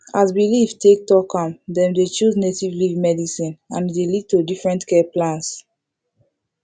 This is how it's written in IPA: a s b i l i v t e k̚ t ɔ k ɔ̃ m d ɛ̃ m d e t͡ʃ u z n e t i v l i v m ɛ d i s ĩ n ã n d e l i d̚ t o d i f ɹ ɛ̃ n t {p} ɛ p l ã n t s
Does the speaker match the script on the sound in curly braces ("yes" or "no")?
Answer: no